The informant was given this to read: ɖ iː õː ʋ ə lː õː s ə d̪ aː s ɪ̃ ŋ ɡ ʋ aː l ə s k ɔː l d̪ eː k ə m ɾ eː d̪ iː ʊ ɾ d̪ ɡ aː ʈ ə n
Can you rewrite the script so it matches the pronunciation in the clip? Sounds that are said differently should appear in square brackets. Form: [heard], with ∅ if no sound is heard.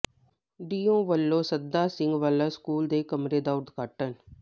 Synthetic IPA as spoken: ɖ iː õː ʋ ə lː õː s ə d̪ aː s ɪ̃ ŋ ɡ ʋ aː l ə s k [uː] l d̪ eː k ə m ɾ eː d̪ [aː] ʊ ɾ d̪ ɡ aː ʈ ə n